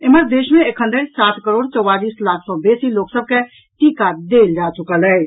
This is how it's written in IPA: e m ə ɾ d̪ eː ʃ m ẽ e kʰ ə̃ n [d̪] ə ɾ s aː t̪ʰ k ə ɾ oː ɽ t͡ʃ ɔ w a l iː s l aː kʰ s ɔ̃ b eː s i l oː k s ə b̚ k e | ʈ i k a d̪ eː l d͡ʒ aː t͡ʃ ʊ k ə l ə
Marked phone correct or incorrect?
correct